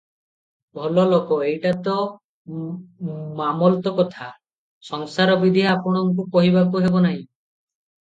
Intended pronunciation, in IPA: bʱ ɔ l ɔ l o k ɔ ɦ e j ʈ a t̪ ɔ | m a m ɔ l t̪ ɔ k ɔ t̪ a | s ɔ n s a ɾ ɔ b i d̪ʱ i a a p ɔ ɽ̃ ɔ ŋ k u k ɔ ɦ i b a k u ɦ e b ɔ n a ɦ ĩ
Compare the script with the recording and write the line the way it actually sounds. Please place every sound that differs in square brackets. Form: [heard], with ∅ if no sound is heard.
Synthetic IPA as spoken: bʱ ɔ l ɔ l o k ɔ [∅] e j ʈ a t̪ ɔ | m a m ɔ l t̪ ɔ k ɔ [t̪ʰ] a | s ɔ [ŋ] s a ɾ ɔ b i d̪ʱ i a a p ɔ ɽ̃ ɔ ŋ k u k ɔ ɦ i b a k u ɦ e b ɔ n a ɦ ĩ